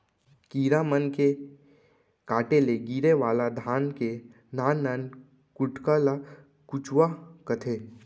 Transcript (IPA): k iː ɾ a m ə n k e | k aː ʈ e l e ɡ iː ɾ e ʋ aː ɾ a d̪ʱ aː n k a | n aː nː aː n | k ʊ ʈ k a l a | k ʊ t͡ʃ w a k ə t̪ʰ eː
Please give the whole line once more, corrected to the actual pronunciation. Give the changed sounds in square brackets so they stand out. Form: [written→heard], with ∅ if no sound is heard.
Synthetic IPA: k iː ɾ a m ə n k e | k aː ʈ e l e ɡ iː ɾ e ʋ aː [ɾ→l] a d̪ʱ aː n k [a→e] | n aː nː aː n | k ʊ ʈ k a l a | k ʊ t͡ʃ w a k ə t̪ʰ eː